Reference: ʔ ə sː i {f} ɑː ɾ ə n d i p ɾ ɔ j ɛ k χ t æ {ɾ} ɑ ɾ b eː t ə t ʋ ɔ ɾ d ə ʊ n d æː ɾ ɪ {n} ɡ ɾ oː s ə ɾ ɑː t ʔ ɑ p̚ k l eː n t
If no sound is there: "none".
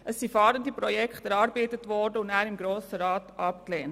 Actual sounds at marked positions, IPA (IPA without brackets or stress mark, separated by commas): f, ɾ, m